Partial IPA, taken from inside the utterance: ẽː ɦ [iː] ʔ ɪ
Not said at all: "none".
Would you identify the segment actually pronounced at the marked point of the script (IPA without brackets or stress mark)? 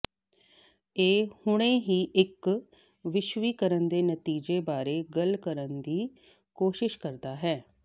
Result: iː